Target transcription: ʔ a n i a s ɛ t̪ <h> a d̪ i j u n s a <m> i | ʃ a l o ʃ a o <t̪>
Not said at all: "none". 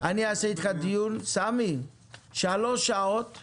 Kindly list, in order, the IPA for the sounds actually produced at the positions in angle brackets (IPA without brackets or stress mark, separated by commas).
χ, m, t̪